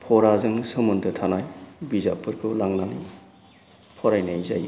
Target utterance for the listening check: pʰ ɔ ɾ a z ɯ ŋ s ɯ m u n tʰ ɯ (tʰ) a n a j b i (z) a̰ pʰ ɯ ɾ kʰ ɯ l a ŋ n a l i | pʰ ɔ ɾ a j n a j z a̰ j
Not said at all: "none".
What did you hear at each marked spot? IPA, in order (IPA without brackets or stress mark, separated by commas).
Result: tʰ, z